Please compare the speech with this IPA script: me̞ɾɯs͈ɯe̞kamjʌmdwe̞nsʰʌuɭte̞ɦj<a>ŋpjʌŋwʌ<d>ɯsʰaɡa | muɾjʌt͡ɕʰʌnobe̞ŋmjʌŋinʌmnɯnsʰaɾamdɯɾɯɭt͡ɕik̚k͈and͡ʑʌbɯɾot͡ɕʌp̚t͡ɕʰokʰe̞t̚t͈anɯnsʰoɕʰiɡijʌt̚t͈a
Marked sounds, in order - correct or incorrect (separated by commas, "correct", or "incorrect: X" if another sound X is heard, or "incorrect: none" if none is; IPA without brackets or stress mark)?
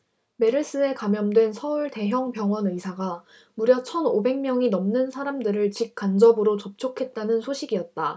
incorrect: ʌ, incorrect: n